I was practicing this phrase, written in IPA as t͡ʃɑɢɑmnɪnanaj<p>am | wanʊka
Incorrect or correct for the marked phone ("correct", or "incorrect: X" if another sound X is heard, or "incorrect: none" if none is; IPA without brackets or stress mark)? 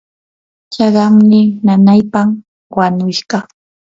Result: correct